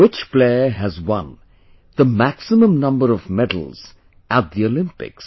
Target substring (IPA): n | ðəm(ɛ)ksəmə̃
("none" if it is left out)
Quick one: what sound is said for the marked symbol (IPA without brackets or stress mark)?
æ